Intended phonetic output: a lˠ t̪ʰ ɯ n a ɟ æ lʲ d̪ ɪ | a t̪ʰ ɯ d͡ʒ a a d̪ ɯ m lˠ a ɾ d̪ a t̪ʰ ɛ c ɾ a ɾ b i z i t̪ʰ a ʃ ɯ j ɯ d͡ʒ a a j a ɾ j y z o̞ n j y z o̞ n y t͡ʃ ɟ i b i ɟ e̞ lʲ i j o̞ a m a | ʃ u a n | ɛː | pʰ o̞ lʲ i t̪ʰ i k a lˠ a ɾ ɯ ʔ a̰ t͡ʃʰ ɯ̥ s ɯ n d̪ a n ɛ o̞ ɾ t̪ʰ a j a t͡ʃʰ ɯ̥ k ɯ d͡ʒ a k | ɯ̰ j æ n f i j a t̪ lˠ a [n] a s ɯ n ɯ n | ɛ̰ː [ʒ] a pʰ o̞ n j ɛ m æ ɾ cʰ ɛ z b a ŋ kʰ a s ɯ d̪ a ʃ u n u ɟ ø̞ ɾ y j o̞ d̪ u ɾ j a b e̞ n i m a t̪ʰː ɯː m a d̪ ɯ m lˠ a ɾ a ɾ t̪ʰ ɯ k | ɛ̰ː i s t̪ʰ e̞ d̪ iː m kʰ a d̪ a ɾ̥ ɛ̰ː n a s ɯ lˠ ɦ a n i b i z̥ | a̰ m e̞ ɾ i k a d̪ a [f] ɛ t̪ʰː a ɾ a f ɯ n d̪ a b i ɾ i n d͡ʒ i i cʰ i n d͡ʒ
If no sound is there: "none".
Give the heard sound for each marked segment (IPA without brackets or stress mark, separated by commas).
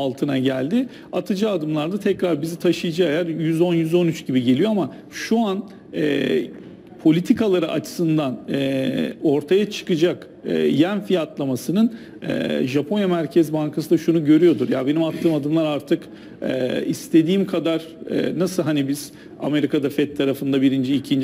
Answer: m, ʒ, f